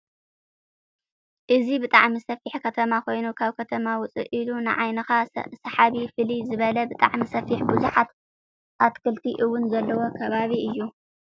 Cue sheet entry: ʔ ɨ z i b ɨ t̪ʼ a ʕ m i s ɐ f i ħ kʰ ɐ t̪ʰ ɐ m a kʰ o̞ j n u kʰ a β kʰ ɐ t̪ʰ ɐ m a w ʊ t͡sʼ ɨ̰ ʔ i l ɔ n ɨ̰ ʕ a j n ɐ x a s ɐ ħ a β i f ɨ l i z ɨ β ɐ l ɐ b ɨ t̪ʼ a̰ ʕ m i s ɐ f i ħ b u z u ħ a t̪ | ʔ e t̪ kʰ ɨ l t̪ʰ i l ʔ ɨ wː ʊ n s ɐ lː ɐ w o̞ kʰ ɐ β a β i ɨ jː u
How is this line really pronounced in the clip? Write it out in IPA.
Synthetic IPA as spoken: ʔ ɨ z i b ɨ t̪ʼ a ʕ m i s ɐ f i ħ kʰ ɐ t̪ʰ ɐ m a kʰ o̞ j n u kʰ a β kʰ ɐ t̪ʰ ɐ m a w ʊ t͡sʼ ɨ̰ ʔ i l u n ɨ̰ ʕ a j n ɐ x a s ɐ ħ a β i f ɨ l i z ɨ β ɐ l ɐ b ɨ t̪ʼ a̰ ʕ m i s ɐ f i ħ b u z u ħ a t̪ | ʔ a t̪ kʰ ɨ l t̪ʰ i ʔ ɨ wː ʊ n z ɐ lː ɐ w o̞ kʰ ɐ β a β i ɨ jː u